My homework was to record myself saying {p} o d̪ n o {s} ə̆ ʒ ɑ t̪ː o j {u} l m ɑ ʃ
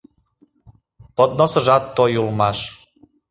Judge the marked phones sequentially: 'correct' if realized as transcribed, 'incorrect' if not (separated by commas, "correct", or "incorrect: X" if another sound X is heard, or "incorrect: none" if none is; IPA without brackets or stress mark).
correct, correct, correct